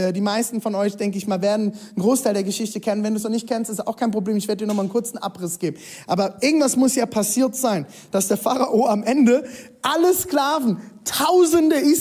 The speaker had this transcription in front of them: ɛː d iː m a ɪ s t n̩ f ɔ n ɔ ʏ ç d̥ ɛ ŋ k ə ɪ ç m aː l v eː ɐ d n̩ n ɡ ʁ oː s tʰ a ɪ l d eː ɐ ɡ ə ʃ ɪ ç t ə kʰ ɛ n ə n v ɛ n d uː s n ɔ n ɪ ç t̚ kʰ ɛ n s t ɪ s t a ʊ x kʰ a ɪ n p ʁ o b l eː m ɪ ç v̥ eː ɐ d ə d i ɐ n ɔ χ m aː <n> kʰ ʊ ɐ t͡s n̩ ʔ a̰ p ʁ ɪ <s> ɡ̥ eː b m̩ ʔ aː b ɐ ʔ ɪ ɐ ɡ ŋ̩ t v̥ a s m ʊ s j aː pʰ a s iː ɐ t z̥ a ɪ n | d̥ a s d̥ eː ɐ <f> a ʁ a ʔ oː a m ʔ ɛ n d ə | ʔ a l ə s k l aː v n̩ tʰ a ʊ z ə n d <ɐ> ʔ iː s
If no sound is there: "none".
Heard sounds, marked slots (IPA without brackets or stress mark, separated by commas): n, s, f, ə